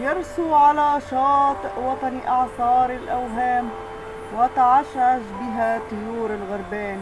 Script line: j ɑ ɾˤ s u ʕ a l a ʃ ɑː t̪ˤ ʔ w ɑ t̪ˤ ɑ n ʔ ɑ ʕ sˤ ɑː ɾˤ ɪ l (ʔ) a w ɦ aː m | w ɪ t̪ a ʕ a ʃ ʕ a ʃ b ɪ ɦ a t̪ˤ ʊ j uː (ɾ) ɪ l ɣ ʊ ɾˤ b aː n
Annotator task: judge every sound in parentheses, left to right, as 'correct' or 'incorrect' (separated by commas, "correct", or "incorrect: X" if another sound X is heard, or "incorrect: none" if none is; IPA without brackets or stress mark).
correct, correct